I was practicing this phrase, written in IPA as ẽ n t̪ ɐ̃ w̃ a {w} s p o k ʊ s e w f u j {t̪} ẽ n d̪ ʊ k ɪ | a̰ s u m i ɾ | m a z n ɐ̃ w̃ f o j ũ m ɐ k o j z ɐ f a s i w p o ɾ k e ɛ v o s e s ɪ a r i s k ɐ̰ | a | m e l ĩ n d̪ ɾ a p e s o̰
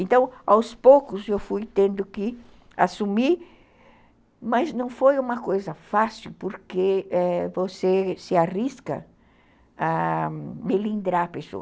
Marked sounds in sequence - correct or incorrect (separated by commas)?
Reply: correct, correct